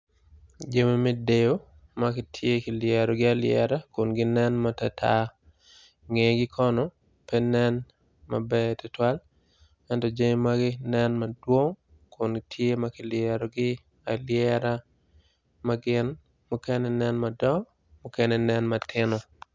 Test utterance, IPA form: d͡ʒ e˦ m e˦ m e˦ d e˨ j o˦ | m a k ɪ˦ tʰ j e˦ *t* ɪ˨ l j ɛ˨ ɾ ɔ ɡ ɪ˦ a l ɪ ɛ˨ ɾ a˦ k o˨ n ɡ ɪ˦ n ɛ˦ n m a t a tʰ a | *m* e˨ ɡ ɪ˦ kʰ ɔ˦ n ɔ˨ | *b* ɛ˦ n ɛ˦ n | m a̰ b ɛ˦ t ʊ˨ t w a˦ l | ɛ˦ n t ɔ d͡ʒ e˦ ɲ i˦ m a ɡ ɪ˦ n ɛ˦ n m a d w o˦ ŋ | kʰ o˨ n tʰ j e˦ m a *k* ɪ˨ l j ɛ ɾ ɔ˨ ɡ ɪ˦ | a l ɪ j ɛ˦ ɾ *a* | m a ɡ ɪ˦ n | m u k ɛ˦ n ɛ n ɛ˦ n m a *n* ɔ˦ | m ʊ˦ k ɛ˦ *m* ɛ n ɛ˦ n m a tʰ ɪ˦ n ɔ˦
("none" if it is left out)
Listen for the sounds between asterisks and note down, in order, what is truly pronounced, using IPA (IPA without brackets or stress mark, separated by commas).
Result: k, ŋ, p, k, a, d, n